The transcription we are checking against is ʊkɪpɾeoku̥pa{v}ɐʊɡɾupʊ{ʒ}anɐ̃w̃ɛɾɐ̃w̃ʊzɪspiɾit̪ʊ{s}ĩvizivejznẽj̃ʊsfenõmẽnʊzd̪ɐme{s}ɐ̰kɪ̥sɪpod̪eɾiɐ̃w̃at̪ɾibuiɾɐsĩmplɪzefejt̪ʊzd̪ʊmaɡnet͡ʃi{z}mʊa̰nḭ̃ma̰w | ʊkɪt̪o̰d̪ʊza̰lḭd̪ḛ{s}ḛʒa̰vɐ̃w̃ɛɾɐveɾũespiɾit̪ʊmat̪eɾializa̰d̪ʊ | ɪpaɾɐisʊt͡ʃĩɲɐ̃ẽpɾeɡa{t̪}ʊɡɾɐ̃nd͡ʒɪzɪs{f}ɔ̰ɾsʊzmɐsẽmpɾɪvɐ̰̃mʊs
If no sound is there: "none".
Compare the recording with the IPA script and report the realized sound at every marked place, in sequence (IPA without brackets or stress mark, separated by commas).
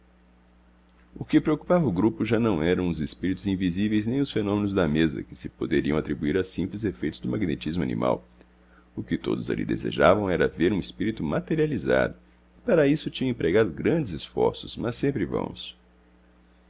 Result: v, ʒ, z, z, z, z, d̪, f